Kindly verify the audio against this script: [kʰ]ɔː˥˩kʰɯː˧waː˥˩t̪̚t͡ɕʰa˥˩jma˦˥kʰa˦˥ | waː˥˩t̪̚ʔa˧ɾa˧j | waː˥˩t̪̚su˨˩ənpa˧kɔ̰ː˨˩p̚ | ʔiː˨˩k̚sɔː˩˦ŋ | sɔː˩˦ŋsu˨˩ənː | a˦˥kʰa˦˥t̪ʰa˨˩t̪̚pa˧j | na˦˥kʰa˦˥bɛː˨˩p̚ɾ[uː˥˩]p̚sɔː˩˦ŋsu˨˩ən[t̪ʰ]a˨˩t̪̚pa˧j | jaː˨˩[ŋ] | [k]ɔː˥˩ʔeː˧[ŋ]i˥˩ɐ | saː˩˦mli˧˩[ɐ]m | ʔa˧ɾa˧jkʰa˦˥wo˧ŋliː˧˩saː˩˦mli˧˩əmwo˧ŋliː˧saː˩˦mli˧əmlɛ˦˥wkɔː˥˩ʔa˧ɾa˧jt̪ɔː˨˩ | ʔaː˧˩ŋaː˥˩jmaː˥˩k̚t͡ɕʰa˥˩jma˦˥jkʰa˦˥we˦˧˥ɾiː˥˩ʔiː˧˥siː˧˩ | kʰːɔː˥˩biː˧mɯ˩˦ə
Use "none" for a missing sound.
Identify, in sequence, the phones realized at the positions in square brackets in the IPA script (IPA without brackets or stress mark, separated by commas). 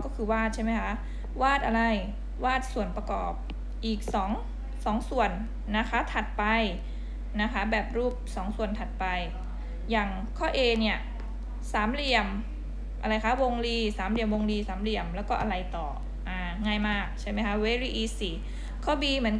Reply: k, uː˥˩, t̪ʰ, ŋ, kʰ, n, ə